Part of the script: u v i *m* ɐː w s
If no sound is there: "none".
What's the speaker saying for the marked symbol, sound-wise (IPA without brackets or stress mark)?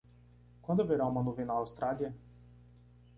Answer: n